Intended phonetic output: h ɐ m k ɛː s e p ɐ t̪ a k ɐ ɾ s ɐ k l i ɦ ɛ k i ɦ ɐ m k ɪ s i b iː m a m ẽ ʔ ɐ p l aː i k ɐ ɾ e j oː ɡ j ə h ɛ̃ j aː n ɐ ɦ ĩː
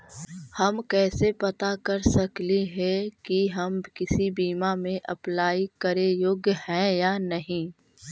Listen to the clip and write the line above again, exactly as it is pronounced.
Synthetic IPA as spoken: h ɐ m k ɛː s e p ɐ t̪ a k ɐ ɾ s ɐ k l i ɦ ɛ k i ɦ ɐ m k ɪ s i b iː m a m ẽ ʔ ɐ p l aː i k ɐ ɾ e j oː ɡ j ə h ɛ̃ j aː n ɐ ɦ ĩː